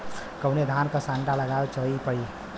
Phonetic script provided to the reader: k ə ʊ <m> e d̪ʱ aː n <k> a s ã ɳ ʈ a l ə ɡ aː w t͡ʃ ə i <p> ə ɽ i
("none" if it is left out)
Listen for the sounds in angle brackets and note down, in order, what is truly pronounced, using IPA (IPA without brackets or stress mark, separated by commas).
n, k, p